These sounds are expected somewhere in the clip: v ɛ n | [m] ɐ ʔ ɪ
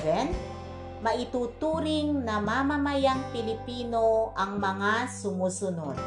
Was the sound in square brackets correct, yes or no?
yes